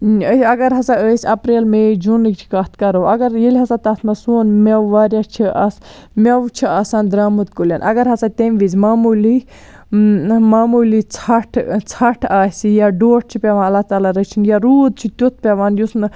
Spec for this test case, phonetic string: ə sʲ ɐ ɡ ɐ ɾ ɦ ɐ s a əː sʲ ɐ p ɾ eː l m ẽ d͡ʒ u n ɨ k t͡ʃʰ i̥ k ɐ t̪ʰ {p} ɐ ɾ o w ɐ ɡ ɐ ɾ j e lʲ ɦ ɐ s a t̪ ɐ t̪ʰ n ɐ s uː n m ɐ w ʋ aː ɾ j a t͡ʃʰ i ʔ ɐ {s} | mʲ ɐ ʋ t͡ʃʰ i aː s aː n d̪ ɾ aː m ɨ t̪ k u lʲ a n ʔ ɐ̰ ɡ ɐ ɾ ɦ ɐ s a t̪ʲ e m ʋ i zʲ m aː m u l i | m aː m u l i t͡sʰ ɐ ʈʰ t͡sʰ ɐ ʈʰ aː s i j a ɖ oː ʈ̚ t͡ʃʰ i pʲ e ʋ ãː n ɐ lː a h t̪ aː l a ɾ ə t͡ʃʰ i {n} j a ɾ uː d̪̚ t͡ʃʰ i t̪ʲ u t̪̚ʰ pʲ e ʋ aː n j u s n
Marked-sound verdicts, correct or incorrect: incorrect: k, correct, correct

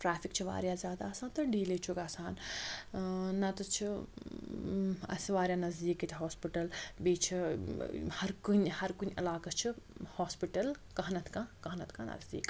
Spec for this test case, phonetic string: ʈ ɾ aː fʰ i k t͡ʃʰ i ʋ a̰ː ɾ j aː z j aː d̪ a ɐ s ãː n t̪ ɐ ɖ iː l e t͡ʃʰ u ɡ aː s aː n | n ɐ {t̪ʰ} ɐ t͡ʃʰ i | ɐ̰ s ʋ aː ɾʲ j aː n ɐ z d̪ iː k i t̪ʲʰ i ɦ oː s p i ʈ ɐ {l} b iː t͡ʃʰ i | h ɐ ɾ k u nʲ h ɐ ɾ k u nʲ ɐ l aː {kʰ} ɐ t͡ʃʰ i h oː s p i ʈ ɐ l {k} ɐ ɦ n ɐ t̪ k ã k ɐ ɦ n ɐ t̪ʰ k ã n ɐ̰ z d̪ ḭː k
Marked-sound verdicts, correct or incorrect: incorrect: t̪, correct, incorrect: k, correct

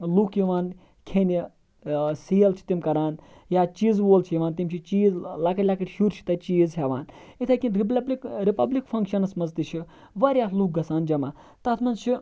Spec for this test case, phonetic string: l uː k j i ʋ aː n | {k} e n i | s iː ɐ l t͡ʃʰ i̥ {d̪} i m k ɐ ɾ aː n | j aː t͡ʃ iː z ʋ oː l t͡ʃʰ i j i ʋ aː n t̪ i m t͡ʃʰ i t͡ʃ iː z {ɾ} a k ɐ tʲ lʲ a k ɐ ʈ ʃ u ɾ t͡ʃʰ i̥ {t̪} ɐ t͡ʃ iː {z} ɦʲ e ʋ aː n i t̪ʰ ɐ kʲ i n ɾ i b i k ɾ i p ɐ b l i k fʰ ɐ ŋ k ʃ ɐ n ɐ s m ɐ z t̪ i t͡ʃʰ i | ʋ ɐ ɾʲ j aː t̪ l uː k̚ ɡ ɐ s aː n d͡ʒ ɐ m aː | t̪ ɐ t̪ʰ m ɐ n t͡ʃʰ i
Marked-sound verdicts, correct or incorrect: incorrect: kʰ, incorrect: t̪, incorrect: l, correct, correct

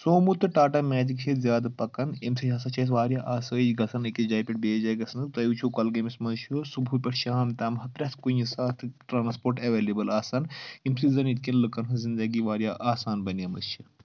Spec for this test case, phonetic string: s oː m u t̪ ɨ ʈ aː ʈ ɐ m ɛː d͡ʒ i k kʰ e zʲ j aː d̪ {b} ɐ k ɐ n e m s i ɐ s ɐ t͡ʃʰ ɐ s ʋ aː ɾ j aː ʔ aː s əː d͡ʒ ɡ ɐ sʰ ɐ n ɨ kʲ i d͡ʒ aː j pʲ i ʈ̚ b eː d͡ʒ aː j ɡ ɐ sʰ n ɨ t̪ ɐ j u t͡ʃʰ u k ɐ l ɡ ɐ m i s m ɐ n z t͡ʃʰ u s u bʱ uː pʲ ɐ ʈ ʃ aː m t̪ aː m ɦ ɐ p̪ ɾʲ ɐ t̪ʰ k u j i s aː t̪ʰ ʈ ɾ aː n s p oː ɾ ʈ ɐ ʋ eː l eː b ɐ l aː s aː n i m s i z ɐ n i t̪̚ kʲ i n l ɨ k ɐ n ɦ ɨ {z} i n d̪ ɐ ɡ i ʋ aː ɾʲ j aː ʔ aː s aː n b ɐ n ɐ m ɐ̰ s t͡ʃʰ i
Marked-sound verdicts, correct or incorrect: incorrect: p, correct

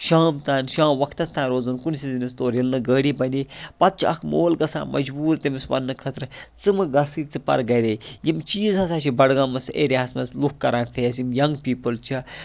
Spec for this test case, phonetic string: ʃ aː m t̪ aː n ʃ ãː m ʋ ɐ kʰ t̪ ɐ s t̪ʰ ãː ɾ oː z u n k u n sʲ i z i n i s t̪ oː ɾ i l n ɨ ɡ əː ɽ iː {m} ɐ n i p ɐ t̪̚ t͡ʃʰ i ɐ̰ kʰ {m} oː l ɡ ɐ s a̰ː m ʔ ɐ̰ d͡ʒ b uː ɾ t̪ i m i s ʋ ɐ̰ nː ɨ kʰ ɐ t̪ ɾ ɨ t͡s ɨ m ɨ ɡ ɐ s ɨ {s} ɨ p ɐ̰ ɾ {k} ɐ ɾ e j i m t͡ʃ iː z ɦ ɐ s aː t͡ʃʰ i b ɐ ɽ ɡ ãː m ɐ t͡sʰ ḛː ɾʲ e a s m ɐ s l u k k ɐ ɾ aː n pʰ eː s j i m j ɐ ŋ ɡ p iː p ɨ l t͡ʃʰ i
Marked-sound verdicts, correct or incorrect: incorrect: b, correct, incorrect: t͡s, incorrect: ɡ

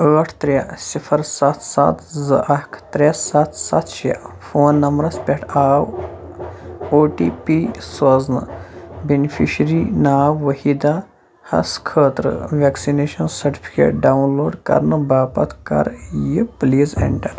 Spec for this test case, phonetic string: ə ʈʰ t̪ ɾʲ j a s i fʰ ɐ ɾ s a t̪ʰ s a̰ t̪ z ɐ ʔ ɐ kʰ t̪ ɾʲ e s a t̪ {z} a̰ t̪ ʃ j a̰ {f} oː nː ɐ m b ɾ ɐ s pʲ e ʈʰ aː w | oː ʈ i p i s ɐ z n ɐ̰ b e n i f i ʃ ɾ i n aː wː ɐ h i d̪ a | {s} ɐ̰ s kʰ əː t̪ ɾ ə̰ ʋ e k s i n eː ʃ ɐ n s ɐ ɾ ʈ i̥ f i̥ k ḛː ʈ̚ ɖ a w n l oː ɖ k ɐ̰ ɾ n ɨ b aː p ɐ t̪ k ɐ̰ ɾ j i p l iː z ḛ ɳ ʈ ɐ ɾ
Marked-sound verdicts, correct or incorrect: incorrect: s, correct, incorrect: h

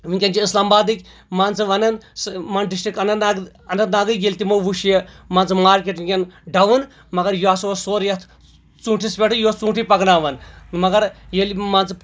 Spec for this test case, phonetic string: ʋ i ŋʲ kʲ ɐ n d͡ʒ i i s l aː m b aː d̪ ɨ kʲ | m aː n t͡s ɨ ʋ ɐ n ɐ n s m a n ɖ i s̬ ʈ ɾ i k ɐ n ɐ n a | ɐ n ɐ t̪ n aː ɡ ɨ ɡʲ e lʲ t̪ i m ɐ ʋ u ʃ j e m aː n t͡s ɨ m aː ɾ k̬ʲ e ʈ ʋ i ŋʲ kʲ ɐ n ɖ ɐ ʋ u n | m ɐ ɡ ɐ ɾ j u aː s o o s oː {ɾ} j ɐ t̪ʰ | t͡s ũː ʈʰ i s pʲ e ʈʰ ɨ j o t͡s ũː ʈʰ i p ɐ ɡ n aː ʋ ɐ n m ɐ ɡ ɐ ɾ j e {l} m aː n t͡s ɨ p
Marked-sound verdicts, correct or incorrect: correct, correct

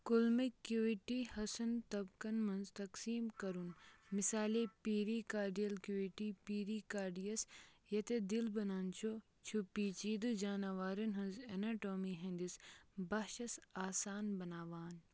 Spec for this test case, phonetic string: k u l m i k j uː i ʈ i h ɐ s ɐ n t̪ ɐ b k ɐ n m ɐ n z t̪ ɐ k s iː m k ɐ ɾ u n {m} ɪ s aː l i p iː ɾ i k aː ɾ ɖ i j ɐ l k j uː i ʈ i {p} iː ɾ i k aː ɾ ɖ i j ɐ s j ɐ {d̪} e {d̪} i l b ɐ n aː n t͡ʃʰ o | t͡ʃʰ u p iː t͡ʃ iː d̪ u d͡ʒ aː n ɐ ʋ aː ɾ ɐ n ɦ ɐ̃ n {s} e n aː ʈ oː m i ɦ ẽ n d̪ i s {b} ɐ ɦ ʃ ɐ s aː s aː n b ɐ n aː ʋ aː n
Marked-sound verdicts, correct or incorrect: correct, correct, incorrect: t̪, correct, incorrect: z, correct

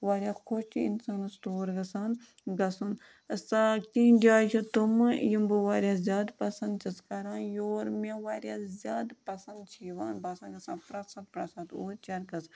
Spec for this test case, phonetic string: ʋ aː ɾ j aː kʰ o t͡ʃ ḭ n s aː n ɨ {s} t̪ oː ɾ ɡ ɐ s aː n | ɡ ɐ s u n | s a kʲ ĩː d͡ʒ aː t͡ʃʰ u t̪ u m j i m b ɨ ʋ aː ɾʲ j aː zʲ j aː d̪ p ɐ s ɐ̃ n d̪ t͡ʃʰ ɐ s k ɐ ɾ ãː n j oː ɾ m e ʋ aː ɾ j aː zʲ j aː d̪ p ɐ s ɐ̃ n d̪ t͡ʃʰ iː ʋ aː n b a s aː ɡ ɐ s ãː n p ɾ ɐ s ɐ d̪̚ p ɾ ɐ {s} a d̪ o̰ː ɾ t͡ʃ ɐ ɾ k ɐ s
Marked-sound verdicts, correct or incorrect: correct, correct

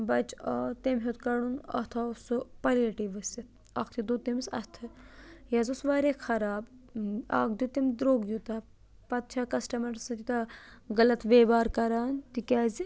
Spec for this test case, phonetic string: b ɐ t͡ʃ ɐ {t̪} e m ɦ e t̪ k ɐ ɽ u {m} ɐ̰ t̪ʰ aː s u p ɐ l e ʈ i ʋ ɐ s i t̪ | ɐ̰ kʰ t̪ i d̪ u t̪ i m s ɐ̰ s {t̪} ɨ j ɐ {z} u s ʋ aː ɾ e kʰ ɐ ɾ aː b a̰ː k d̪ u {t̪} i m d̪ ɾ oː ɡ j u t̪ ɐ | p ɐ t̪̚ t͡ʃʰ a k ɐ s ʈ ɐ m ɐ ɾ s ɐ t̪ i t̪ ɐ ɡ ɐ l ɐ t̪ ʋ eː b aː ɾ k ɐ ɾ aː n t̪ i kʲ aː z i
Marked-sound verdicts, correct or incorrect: correct, incorrect: n, incorrect: t̪ʰ, correct, correct

